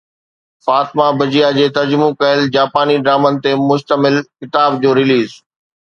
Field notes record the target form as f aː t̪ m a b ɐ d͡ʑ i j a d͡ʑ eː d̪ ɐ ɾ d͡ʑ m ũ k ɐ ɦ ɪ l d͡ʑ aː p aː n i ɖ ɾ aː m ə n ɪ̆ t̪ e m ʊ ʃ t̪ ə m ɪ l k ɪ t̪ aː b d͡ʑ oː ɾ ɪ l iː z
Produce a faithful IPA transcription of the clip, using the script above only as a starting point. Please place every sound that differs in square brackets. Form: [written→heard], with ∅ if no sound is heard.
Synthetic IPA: f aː t̪ m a b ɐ d͡ʑ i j a d͡ʑ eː [d̪→t̪] ɐ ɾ d͡ʑ m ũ k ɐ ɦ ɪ l d͡ʑ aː p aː n i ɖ ɾ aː m ə n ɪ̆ t̪ e m ʊ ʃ t̪ ə m ɪ l k ɪ t̪ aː b d͡ʑ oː ɾ ɪ l iː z